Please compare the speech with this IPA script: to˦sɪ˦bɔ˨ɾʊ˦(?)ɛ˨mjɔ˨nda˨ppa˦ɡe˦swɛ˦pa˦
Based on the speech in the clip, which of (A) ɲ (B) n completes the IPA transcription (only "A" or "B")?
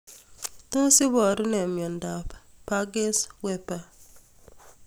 B